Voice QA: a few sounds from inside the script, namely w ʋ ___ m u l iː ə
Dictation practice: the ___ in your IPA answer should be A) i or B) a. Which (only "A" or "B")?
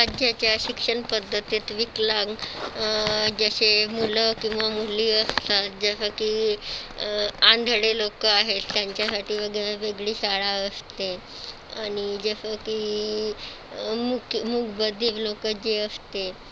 B